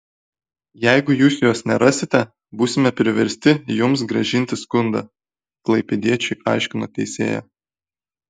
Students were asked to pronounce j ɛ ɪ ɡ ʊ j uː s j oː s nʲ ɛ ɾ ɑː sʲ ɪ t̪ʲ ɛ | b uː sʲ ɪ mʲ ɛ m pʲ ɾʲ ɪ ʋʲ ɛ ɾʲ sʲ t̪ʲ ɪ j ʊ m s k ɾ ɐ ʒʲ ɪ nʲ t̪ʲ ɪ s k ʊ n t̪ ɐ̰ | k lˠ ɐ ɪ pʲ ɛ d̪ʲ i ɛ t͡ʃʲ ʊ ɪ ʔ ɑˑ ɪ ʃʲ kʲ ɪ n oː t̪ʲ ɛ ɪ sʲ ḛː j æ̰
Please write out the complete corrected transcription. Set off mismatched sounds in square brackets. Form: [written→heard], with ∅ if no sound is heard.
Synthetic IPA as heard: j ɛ ɪ ɡ ʊ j uː s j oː s nʲ ɛ ɾ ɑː sʲ ɪ t̪ʲ ɛ | b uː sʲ ɪ mʲ ɛ [m→∅] pʲ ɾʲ ɪ ʋʲ ɛ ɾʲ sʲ t̪ʲ ɪ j ʊ m s [k→ɡ] ɾ ɐ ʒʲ ɪ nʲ t̪ʲ ɪ s k ʊ n [t̪→d̪] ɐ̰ | k lˠ ɐ ɪ pʲ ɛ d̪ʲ i ɛ t͡ʃʲ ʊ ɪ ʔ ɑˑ ɪ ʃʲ kʲ ɪ n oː t̪ʲ ɛ ɪ sʲ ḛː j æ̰